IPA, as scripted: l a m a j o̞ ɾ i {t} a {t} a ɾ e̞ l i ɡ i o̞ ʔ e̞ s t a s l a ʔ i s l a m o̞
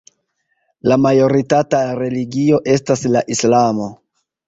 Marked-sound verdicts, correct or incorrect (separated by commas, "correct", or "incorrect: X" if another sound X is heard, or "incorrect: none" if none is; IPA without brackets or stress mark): correct, correct